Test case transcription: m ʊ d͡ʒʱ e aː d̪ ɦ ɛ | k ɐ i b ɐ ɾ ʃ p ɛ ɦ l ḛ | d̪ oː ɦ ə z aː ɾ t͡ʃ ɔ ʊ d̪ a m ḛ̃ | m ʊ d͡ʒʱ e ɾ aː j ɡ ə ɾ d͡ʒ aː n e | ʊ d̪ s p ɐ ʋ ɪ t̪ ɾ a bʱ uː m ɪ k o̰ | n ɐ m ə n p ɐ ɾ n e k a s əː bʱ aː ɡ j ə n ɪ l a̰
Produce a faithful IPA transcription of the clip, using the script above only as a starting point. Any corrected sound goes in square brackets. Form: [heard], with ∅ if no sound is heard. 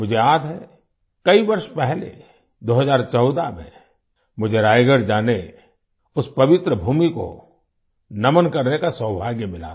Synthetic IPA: m ʊ d͡ʒʱ e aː d̪ ɦ ɛ | k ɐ i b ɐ ɾ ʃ p ɛ ɦ l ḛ | d̪ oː ɦ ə z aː ɾ t͡ʃ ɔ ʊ d̪ a m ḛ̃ | m ʊ d͡ʒʱ e ɾ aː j ɡ ə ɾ d͡ʒ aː n e | ʊ [∅] s p ɐ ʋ ɪ t̪ ɾ [ə] bʱ uː m [i] k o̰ | n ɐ m ə n [k] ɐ ɾ n e k a s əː bʱ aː ɡ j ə [m] ɪ l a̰